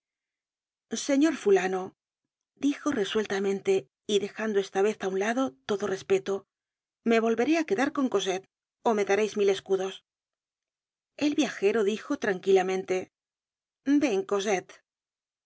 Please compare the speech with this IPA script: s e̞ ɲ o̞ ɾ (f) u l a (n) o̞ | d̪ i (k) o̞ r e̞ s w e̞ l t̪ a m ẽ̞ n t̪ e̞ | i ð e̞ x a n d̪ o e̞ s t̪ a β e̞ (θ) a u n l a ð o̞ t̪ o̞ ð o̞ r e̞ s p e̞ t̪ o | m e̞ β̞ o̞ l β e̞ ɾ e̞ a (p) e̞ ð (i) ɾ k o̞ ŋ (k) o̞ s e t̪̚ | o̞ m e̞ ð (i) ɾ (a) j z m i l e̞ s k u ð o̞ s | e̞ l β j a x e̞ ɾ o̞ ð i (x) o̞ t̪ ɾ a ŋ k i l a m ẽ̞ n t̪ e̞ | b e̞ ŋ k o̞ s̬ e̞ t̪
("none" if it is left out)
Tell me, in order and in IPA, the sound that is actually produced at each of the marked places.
f, n, x, θ, k, a, k, a, e, x

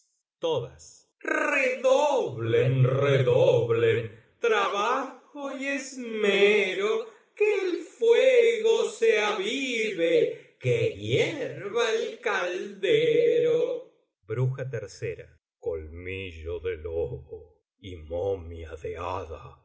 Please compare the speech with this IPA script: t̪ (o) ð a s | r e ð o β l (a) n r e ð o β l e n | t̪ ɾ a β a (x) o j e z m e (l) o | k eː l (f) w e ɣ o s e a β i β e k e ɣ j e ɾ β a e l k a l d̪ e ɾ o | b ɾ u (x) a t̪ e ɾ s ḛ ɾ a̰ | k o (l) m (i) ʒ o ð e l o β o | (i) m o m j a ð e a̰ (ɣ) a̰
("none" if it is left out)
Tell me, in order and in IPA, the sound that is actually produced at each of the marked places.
o, e, x, ɾ, f, x, l, i, i, ð

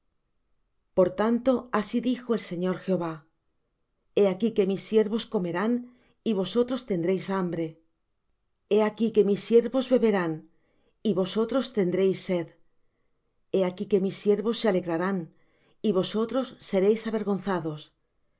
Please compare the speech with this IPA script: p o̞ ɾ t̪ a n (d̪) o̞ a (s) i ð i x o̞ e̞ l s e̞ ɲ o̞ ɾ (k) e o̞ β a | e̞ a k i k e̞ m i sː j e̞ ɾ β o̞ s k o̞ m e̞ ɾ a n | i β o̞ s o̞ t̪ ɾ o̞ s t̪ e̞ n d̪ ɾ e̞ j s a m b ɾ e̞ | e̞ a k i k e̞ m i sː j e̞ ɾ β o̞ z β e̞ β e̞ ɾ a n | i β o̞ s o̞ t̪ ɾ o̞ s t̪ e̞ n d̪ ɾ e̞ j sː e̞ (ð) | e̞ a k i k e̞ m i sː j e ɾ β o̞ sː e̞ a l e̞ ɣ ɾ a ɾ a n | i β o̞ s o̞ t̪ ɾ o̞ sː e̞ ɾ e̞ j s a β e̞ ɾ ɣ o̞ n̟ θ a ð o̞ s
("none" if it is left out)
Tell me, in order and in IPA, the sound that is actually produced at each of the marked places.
t̪, s, x, ð

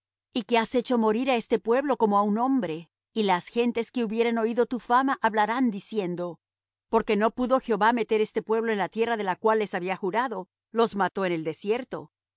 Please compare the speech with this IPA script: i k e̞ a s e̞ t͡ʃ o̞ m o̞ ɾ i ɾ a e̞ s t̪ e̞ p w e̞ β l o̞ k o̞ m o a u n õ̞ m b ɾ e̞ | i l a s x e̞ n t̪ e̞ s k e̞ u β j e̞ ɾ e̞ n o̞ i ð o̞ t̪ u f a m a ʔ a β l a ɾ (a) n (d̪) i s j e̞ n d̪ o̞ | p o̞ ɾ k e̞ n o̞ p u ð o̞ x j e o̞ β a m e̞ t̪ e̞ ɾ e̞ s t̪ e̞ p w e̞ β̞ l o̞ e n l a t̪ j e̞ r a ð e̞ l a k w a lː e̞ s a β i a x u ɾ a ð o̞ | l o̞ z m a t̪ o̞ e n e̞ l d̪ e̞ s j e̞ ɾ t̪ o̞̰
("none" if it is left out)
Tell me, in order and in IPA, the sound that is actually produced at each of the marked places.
a, d̪

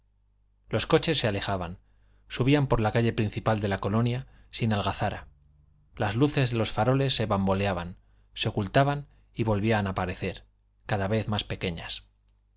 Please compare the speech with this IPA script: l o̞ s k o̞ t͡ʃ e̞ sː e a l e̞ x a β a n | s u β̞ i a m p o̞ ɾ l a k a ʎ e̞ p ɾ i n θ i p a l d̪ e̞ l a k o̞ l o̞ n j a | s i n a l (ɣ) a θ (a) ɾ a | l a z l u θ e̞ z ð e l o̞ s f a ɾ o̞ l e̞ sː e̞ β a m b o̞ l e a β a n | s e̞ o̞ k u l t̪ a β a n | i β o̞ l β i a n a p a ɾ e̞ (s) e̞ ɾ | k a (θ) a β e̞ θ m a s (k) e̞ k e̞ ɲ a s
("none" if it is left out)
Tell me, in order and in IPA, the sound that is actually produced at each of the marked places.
ɣ, a, θ, ð, p

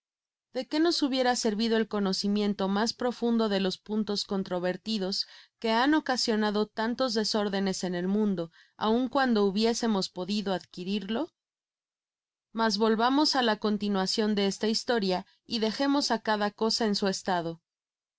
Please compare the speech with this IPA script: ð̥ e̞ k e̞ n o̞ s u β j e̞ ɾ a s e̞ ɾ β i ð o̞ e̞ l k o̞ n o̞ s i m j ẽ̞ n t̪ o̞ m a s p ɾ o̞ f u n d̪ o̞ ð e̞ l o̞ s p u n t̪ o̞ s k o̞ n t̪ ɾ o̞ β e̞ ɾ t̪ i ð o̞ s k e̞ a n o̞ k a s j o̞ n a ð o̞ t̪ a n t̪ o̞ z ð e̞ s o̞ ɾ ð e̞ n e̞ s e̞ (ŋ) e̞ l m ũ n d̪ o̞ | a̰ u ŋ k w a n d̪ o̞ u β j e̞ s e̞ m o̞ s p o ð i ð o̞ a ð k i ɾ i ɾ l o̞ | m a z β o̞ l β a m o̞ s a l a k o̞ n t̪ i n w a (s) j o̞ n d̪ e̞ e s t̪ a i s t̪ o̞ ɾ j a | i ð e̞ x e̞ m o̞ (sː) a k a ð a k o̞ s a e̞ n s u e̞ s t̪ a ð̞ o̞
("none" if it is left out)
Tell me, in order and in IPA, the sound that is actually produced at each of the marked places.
n, s, s

